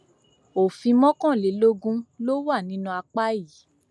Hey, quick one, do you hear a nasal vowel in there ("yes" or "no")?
yes